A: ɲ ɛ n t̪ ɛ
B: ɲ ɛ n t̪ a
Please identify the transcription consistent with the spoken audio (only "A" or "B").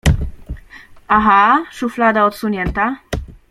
B